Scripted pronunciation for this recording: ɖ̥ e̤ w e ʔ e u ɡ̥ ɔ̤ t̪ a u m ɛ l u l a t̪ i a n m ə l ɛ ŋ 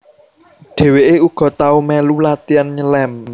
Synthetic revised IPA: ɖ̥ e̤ w e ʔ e u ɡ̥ ɔ̤ t̪ a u m ɛ l u l a t̪ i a n ɲ ə l ɛ m